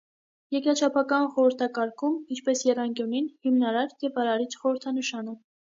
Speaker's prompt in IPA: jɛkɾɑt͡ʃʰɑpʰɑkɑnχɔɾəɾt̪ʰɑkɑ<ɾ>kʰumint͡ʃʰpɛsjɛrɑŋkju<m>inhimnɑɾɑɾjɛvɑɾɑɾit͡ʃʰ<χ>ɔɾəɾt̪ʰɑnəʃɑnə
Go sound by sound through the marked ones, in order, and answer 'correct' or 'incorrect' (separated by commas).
correct, incorrect, correct